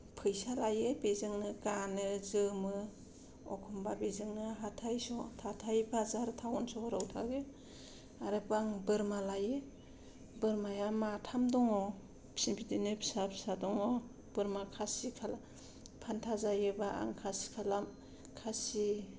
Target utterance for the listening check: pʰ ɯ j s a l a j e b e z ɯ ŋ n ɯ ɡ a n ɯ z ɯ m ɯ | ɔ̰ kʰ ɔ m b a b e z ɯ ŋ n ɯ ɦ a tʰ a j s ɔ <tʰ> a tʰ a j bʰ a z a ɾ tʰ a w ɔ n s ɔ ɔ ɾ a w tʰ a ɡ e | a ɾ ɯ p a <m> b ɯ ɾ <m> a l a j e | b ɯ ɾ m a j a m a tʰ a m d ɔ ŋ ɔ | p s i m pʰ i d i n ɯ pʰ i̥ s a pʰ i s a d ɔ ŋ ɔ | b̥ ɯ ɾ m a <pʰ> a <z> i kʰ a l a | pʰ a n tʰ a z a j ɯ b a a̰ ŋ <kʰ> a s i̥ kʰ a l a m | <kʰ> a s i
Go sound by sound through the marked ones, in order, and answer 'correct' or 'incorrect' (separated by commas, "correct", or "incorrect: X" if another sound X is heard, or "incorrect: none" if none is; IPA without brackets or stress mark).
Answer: correct, incorrect: ŋ, correct, incorrect: kʰ, incorrect: s, correct, correct